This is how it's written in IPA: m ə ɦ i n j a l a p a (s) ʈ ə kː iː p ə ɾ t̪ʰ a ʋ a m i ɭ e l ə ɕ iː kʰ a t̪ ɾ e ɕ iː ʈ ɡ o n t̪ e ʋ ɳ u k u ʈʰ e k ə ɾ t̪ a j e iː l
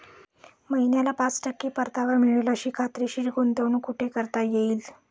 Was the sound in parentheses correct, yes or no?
no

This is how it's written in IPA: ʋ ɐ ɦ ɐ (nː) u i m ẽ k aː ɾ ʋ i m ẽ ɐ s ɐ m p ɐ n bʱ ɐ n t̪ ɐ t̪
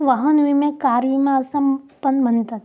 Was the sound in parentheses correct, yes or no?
no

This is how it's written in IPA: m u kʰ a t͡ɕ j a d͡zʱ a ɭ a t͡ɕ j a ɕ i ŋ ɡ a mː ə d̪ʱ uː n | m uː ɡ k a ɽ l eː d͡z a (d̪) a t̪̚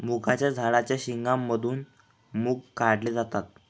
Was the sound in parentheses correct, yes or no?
no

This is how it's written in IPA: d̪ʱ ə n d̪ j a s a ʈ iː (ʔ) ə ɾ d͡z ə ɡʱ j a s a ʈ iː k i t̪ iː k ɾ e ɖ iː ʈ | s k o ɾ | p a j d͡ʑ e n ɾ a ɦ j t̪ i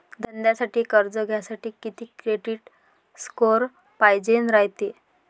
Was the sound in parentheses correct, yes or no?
no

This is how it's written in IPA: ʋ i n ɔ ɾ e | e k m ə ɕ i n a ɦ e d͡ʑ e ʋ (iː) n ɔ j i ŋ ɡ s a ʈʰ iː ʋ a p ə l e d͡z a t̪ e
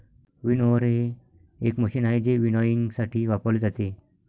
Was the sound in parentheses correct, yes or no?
no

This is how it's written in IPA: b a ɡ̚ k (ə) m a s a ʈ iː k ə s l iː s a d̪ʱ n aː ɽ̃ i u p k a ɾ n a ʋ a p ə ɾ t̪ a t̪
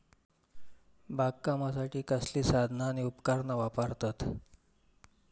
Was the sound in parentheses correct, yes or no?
no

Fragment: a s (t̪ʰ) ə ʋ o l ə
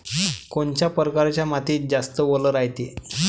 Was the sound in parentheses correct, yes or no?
no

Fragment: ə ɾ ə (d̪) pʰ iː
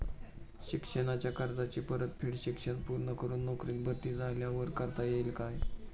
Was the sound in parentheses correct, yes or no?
no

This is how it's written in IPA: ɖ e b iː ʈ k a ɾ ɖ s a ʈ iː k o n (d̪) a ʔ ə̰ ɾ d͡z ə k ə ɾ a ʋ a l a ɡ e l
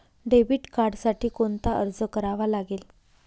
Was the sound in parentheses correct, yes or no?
no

